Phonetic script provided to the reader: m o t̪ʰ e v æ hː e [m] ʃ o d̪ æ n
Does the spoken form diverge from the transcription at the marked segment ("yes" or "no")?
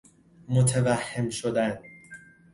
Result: no